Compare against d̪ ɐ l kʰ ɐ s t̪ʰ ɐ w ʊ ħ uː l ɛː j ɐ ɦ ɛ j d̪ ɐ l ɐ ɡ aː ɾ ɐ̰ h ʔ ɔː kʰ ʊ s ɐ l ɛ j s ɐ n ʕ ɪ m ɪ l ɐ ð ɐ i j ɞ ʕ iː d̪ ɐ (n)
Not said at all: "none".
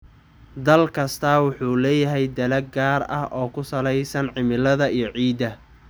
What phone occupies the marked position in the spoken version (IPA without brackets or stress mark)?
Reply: none